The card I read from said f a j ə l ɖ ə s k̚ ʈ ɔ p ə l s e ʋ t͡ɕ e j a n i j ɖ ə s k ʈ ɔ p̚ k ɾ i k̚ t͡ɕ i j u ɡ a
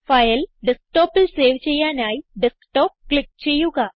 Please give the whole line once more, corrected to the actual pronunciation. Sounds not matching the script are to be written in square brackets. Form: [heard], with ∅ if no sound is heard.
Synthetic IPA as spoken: f a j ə l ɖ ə s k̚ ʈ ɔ p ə l s e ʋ t͡ɕ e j a n [a] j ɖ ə s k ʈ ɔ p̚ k [l] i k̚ t͡ɕ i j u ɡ a